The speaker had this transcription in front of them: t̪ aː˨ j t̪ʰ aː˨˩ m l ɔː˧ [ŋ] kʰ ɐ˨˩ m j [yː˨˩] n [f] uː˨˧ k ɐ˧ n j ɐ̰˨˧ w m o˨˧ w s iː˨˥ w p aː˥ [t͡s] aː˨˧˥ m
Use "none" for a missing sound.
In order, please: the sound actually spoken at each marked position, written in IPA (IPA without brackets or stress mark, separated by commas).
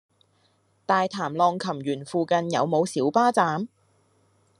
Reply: ŋ, yː˨˩, f, t͡s